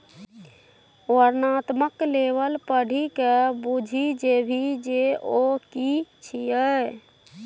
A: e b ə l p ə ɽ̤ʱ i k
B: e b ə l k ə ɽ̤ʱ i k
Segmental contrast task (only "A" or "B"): A